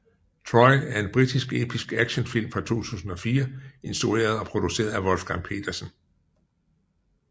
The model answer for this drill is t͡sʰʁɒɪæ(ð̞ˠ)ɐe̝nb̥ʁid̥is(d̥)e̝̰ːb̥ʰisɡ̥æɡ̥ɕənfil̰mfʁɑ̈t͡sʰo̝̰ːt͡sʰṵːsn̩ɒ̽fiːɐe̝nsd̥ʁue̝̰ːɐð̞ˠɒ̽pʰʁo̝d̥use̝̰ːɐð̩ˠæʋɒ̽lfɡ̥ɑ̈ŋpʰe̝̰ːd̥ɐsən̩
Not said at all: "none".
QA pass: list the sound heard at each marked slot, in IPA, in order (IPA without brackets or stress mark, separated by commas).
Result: none, ɡ̥